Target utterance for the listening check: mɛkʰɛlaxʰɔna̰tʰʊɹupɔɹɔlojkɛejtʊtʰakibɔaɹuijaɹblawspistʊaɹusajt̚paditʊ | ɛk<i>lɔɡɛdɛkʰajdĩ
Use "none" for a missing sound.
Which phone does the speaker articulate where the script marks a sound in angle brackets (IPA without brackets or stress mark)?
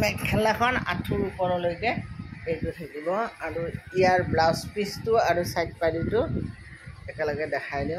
ɛ